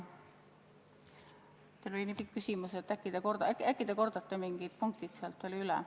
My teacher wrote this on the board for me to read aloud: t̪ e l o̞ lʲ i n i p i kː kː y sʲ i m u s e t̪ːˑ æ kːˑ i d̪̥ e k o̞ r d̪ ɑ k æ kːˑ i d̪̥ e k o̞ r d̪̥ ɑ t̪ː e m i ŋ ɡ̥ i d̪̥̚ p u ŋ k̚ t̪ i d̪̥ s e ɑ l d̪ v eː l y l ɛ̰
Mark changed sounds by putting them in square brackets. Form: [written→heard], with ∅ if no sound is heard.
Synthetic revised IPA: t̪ e l o̞ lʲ i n i p i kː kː y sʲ i m u s e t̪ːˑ æ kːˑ i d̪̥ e k o̞ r d̪ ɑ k æ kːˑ i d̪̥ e k o̞ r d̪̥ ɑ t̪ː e m i ŋ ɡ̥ i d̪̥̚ p u ŋ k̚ t̪ i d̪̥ s e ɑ l [d̪→t̪] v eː l y l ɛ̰